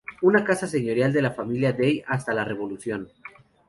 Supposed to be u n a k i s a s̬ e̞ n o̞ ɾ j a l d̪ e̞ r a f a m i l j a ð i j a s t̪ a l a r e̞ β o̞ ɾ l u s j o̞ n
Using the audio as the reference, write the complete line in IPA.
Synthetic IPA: u n a k a s a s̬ e̞ ɲ o̞ ɾ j a l d̪ e̞ l a f a m i l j a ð e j a s t̪ a l a r e̞ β o̞ l u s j o̞ n